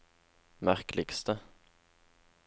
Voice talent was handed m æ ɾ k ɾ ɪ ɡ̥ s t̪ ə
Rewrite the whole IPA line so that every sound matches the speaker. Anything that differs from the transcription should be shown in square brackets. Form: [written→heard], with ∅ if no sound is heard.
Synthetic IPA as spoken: m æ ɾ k [ɾ→l] ɪ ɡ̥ s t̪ ə